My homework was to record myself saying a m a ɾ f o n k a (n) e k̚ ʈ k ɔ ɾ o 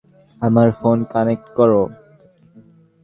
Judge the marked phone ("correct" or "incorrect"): correct